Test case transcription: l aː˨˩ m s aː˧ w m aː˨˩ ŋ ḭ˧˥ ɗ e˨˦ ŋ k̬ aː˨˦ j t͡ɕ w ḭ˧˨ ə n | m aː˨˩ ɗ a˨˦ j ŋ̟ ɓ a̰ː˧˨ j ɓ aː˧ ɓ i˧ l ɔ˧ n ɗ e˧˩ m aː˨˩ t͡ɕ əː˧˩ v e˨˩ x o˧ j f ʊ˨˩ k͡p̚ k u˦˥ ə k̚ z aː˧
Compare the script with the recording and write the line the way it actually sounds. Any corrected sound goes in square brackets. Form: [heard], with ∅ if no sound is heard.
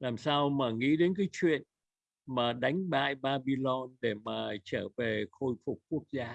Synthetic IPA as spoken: l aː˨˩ m s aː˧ w m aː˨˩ ŋ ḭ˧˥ ɗ e˨˦ [n] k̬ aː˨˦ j t͡ɕ w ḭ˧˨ ə n | m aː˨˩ ɗ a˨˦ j ŋ̟ ɓ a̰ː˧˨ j ɓ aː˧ ɓ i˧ l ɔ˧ n ɗ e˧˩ m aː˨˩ t͡ɕ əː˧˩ v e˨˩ x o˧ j f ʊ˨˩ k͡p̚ k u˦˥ ə k̚ z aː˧

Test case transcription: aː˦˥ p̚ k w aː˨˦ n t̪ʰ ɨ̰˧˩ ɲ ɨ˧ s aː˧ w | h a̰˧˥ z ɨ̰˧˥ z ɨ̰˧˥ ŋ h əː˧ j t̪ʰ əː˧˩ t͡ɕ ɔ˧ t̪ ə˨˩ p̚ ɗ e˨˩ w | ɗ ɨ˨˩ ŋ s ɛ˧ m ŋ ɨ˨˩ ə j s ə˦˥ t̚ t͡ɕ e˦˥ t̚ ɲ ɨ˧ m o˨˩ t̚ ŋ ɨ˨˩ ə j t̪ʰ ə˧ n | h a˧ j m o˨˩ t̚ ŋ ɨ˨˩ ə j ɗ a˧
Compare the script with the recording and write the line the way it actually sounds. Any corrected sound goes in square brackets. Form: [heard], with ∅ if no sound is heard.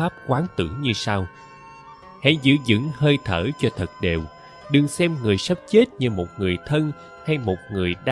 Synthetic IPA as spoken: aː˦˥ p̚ k w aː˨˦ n [t̪] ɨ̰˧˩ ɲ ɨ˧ s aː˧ w | h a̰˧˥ z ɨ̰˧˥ z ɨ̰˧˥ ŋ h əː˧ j t̪ʰ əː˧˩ t͡ɕ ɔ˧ [t̪ʰ] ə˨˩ [t̚] ɗ e˨˩ w | ɗ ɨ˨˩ ŋ s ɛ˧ m ŋ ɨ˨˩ ə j s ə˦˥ [p̚] t͡ɕ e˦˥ t̚ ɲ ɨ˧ m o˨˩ t̚ ŋ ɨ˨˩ ə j t̪ʰ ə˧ n | h a˧ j m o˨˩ t̚ ŋ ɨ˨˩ ə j ɗ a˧

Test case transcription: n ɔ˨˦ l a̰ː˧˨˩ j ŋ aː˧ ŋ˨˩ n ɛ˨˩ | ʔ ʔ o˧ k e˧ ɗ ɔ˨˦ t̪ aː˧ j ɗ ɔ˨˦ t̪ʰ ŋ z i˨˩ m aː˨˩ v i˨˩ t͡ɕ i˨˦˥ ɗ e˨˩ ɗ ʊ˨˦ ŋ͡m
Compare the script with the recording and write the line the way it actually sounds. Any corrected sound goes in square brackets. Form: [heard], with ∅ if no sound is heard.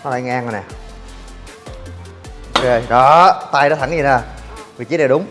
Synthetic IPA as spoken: n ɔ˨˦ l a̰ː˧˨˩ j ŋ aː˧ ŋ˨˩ n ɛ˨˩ | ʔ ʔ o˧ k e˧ ɗ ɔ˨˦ t̪ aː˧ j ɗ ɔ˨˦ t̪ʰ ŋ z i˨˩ [n] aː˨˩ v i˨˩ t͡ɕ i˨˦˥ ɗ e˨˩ ɗ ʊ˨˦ ŋ͡m

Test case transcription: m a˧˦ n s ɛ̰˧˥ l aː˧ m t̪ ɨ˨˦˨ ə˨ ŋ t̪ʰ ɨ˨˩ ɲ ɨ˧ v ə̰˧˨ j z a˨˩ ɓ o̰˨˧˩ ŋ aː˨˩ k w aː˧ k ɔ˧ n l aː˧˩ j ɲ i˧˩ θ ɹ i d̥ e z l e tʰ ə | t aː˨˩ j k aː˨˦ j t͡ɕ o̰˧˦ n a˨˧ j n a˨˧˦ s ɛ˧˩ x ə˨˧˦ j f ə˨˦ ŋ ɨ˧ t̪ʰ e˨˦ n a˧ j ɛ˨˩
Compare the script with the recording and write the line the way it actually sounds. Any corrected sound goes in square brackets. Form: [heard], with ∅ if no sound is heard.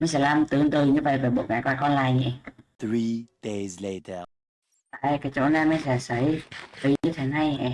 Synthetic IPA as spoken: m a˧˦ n s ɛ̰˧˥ l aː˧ m t̪ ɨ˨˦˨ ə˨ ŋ [t̪] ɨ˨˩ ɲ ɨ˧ v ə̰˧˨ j [v] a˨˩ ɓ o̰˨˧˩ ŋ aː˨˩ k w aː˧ k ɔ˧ n l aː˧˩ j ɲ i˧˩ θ ɹ i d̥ e z l e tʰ ə | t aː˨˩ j k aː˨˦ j t͡ɕ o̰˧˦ n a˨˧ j [m] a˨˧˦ s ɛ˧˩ [s] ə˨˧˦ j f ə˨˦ [ɲ] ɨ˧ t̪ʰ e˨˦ n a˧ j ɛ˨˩

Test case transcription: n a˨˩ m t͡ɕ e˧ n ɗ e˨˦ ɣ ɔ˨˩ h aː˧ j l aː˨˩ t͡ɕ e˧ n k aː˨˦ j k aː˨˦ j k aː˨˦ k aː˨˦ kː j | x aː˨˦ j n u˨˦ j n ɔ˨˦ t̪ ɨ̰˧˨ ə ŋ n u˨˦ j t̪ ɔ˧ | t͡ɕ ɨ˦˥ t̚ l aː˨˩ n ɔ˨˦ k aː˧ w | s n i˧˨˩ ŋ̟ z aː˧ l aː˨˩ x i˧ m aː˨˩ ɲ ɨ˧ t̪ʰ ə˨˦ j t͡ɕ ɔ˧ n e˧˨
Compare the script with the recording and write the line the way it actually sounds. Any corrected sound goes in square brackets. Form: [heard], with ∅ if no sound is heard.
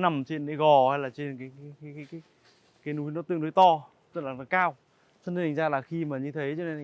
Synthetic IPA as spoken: n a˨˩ m t͡ɕ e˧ n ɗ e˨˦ ɣ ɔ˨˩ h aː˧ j l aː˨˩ t͡ɕ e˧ n k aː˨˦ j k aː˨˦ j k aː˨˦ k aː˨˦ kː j | [k] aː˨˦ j n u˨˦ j n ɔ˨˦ t̪ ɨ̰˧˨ ə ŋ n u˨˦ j t̪ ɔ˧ | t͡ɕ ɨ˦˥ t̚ l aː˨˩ n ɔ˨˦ k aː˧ w | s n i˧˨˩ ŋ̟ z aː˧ l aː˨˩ x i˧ m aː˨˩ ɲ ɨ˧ t̪ʰ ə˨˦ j t͡ɕ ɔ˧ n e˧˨

